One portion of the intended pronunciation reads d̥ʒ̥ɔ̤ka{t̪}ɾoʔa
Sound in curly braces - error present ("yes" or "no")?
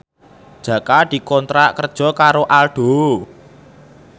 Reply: yes